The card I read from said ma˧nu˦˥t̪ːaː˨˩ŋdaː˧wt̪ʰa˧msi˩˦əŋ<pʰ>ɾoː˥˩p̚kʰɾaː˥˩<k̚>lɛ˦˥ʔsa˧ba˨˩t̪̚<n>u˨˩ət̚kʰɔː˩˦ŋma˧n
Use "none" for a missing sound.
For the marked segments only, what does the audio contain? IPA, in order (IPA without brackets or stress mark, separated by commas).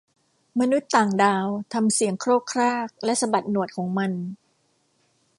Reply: kʰ, k̚, n